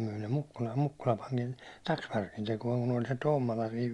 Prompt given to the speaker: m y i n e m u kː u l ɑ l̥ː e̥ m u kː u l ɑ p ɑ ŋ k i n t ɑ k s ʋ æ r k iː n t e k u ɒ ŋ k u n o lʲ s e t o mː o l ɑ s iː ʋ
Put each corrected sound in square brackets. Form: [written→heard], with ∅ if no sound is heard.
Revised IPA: m y i n e m u kː u l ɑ l̥ː e̥ m u kː u l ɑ p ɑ ŋ k i n t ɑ k s ʋ æ r k [iː→i] n t e k u ɒ ŋ k u n o lʲ s e t o mː o l ɑ s iː ʋ